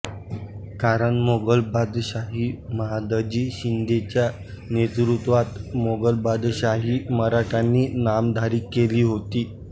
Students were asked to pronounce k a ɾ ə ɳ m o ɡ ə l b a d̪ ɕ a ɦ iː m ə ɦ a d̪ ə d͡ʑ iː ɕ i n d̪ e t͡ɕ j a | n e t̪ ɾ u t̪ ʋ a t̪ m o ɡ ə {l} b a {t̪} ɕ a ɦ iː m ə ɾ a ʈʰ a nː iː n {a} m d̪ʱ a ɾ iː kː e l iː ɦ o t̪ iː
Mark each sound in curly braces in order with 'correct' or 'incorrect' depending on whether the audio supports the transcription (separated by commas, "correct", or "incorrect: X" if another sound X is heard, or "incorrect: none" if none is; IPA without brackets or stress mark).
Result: correct, incorrect: d̪, correct